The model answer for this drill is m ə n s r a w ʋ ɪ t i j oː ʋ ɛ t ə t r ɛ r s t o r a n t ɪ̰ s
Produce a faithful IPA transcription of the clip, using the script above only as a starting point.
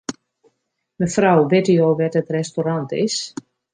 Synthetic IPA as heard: m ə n f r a w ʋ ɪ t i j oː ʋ ɛ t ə t r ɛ s t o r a n t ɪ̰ s